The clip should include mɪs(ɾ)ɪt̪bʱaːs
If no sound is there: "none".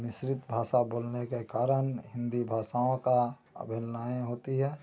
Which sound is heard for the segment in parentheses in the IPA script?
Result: ɾ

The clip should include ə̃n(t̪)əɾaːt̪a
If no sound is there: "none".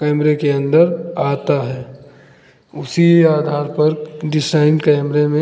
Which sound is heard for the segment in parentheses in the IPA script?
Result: d̪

